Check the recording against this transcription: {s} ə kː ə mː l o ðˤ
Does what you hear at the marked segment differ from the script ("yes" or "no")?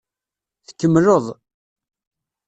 yes